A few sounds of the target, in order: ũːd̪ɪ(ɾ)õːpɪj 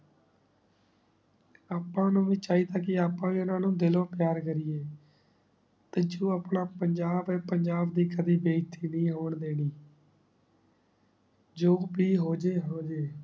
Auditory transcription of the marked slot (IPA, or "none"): l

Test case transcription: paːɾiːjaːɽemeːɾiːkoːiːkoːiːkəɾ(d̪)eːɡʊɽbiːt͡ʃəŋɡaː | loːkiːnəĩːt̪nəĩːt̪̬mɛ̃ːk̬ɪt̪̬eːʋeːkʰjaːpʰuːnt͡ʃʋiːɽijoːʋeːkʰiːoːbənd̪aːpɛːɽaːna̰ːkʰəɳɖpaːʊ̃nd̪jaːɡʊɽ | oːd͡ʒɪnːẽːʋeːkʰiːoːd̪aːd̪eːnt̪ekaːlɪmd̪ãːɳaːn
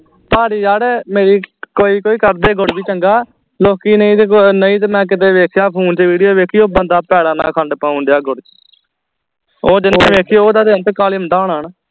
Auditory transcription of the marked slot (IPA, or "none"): d̪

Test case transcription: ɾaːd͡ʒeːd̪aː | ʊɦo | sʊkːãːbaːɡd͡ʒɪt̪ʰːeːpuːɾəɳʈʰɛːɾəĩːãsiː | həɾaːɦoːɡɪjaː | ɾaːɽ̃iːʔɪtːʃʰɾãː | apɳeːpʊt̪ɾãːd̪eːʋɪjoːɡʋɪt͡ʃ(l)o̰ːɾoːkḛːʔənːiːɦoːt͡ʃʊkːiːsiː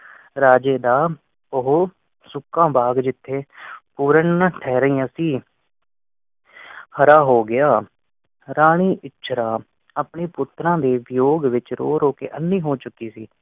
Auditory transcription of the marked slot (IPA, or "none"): ɾ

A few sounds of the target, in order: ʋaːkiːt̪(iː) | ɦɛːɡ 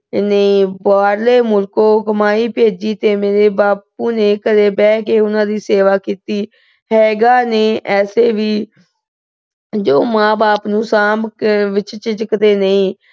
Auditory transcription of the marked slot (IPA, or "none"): iː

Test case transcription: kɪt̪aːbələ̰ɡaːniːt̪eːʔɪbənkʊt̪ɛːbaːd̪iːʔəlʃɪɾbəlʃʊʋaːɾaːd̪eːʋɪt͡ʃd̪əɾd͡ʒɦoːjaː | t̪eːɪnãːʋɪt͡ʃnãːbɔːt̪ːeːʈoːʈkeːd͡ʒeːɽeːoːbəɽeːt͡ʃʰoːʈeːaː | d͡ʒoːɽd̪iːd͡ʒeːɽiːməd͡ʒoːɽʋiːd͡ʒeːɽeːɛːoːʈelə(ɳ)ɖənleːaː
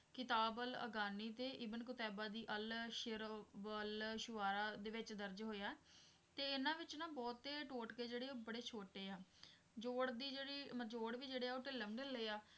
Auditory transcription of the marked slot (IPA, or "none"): m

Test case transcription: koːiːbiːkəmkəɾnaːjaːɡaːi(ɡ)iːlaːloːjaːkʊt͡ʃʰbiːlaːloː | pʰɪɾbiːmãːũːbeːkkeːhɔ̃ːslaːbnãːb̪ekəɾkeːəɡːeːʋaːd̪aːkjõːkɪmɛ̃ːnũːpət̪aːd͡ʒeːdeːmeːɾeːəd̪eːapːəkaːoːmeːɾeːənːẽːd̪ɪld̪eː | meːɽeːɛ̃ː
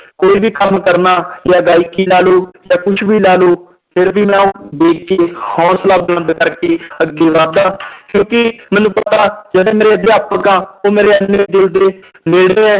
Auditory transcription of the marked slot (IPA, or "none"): k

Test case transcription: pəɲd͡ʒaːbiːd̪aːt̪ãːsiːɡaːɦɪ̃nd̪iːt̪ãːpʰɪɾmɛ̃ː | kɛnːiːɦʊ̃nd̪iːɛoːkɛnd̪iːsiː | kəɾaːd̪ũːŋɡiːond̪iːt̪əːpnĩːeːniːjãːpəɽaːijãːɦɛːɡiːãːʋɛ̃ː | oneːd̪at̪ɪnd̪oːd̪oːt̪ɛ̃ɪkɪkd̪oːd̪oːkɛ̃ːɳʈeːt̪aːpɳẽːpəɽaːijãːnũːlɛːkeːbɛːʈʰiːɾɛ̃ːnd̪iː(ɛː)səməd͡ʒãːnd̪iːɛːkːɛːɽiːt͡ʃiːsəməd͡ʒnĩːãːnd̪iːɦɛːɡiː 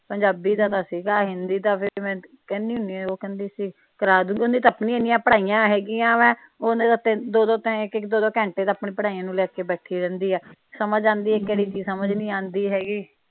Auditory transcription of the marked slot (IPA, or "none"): ɛː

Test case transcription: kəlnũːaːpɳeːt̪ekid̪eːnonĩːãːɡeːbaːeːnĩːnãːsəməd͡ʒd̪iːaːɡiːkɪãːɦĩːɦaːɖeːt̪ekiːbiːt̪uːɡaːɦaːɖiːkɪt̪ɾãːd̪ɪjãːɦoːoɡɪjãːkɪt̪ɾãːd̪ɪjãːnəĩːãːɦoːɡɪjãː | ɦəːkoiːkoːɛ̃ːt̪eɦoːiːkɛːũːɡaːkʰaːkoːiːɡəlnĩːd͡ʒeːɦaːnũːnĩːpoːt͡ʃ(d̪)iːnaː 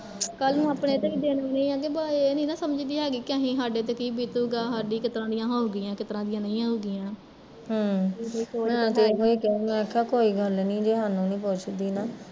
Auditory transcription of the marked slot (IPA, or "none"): d̪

